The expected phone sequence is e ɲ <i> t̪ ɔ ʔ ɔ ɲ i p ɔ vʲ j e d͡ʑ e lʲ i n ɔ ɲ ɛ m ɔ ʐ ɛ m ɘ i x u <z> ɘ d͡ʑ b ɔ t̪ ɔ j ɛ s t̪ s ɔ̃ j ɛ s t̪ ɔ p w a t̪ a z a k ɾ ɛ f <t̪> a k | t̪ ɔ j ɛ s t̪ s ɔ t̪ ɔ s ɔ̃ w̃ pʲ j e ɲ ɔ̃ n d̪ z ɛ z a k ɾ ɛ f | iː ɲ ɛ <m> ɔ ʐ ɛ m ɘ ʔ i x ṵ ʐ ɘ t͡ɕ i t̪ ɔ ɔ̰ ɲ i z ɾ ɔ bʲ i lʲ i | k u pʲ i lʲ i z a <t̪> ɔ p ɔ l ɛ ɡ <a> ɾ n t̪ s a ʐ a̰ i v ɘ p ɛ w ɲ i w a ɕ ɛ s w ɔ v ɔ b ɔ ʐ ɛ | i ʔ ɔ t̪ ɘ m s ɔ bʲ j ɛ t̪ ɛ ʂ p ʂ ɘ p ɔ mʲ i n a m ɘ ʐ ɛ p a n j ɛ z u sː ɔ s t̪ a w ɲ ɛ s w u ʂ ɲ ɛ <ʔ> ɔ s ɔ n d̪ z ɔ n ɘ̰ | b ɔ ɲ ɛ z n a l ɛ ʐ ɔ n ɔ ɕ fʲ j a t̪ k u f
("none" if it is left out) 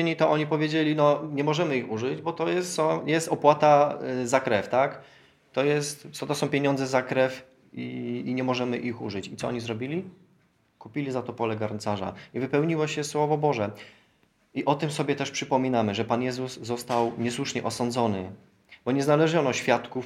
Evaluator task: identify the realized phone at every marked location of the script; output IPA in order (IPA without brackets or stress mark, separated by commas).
i, ʐ, t̪, m, t̪, a, ʔ